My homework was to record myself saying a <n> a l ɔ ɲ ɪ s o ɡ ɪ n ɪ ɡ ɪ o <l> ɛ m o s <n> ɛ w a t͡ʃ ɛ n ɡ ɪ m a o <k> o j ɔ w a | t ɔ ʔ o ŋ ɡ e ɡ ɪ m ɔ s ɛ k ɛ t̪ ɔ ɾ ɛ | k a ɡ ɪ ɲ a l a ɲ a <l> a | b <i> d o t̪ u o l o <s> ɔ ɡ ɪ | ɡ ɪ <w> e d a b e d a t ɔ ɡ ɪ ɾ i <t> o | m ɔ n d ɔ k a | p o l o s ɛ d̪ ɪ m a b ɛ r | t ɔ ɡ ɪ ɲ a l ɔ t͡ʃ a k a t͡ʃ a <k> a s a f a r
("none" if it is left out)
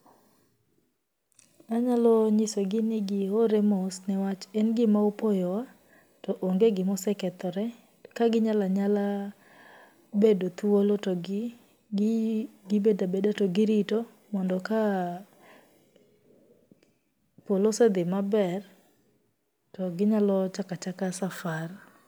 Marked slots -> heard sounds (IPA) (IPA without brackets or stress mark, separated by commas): ɲ, ɾ, n, p, l, e, t, b, t, k